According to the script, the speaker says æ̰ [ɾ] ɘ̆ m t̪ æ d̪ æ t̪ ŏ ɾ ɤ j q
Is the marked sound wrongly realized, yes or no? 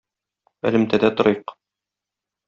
yes